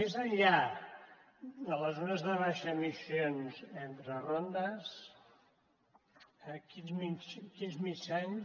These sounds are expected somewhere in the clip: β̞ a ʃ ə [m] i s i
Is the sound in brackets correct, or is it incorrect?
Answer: correct